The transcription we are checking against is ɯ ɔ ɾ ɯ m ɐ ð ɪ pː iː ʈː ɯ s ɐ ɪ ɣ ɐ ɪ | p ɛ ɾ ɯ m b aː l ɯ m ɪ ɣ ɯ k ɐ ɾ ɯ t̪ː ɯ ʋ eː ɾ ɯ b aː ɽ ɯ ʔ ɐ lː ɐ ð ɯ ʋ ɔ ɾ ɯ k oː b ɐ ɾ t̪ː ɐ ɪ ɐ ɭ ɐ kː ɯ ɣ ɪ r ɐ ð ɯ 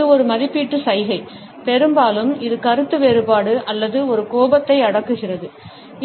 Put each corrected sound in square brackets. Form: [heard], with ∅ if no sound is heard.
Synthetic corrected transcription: ɯ ɔ ɾ ɯ m ɐ ð ɪ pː iː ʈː ɯ s ɐ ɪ ɣ ɐ ɪ | p ɛ ɾ ɯ m b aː l ɯ m ɪ [ð] ɯ k ɐ ɾ ɯ t̪ː ɯ ʋ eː ɾ ɯ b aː ɽ ɯ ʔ ɐ lː ɐ ð ɯ [∅] ɔ ɾ ɯ k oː b ɐ [∅] t̪ː ɐ ɪ ɐ [ɽ] ɐ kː ɯ ɣ ɪ r ɐ ð ɯ

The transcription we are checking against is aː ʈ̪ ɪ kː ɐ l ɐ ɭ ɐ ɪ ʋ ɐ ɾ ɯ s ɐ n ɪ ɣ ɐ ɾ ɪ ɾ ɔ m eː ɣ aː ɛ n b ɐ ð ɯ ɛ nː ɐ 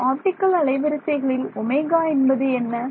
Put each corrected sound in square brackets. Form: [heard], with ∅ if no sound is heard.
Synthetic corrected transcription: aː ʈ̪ ɪ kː ɐ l ɐ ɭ ɐ ɪ ʋ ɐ ɾ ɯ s ɐ [∅] ɪ ɣ ɐ [ɭ] ɪ [l] ɔ m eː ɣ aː ɛ n b ɐ ð ɯ ɛ nː ɐ

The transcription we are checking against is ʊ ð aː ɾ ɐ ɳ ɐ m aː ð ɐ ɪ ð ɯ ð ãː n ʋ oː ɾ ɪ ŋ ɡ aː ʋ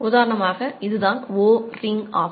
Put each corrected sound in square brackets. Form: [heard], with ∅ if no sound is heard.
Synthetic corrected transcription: ʊ ð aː ɾ ɐ ɳ ɐ m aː [ɣ] ɐ ɪ ð ɯ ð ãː n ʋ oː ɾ ɪ ŋ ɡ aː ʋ

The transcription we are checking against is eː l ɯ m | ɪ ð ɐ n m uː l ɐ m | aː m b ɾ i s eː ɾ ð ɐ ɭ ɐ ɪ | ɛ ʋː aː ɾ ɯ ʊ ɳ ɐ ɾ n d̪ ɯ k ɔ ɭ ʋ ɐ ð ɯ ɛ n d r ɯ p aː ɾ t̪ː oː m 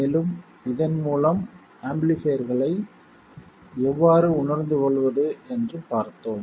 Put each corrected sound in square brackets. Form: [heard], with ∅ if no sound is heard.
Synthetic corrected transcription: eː l ɯ m | ɪ ð ɐ n m uː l ɐ m | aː m b [l] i [f] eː ɾ [ɣ] ɐ ɭ ɐ ɪ | ɛ ʋː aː ɾ ɯ ʊ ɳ ɐ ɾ n d̪ ɯ k ɔ ɭ ʋ ɐ ð ɯ ɛ n d r ɯ p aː ɾ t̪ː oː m

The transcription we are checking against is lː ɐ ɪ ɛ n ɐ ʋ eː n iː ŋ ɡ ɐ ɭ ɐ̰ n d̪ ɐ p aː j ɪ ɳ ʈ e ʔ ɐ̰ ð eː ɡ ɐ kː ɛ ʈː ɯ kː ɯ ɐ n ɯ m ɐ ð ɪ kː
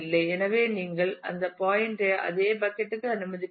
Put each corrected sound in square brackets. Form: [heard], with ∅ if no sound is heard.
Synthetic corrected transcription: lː ɐ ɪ ɛ n ɐ ʋ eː n iː ŋ ɡ ɐ ɭ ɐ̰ n d̪ ɐ p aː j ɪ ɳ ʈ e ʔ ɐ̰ ð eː [b] ɐ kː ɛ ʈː ɯ kː ɯ ɐ n ɯ m ɐ ð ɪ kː

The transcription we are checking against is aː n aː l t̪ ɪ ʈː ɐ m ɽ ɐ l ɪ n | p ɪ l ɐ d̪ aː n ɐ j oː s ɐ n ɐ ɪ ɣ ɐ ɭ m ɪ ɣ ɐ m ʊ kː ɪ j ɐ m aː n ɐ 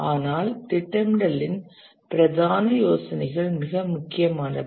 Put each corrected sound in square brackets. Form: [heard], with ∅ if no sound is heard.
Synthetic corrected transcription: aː n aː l t̪ ɪ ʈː ɐ m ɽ ɐ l ɪ n | p ɪ [ɾ] ɐ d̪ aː n ɐ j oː s ɐ n ɐ ɪ ɣ ɐ ɭ m ɪ ɣ ɐ m ʊ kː ɪ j ɐ m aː n ɐ

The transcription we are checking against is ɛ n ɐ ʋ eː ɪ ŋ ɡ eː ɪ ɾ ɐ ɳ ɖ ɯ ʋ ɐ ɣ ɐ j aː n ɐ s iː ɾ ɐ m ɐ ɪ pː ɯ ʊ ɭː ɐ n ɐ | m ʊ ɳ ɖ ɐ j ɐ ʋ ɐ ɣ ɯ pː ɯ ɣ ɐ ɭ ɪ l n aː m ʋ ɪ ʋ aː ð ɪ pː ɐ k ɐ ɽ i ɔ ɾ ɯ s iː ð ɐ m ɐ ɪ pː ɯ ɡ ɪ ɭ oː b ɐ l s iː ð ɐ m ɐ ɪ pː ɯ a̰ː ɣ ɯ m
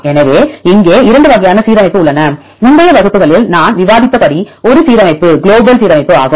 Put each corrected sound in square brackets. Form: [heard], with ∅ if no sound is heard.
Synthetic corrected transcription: ɛ n ɐ ʋ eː ɪ ŋ ɡ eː ɪ ɾ ɐ ɳ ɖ ɯ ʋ ɐ ɣ ɐ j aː n ɐ s iː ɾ ɐ m ɐ ɪ pː ɯ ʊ ɭː ɐ n ɐ | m ʊ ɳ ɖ ɐ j ɐ ʋ ɐ ɣ ɯ pː ɯ ɣ ɐ ɭ ɪ l n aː [n] ʋ ɪ ʋ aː ð ɪ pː ɐ k ɐ ɽ i ɔ ɾ ɯ s iː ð ɐ m ɐ ɪ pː ɯ ɡ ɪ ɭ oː b ɐ l s iː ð ɐ m ɐ ɪ pː ɯ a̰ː ɣ ɯ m

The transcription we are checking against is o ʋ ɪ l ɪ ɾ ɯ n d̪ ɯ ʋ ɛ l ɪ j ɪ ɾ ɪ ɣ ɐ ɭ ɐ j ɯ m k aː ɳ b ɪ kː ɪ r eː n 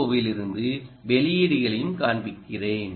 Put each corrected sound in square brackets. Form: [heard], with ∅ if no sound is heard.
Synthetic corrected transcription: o ʋ ɪ l ɪ ɾ ɯ n d̪ ɯ ʋ ɛ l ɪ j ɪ [ɽ] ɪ ɣ ɐ ɭ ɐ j ɯ m k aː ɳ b ɪ kː ɪ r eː n

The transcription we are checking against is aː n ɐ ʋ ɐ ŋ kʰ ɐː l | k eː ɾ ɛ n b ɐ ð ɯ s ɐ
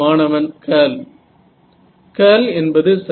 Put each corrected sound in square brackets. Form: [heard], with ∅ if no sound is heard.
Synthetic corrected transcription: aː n ɐ ʋ ɐ [n] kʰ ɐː l | k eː [l] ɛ n b ɐ ð ɯ s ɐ

